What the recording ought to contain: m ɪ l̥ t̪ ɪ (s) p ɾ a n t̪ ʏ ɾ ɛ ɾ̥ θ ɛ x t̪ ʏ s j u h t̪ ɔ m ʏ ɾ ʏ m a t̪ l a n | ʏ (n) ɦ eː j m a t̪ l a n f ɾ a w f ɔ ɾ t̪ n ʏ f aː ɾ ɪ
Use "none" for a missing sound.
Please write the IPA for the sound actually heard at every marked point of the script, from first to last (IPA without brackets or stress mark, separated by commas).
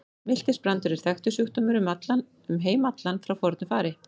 s, m